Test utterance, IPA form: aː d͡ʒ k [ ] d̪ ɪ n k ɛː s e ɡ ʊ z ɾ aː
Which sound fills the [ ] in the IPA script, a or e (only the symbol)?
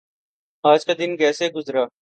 a